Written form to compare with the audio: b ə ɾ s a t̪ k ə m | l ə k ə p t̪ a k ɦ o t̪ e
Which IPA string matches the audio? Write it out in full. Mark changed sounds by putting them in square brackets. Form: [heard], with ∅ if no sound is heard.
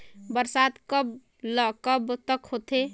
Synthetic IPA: b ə ɾ s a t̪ k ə [b] | l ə k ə [b] t̪ [ə] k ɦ o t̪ e